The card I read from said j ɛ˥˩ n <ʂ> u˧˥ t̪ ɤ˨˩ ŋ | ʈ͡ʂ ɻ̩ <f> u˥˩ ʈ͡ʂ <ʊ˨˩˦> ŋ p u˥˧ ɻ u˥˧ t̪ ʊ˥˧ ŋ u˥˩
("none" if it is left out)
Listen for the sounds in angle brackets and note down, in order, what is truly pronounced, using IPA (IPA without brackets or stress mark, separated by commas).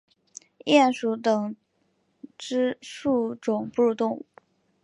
ʂ, ʂ, ʊ˨˩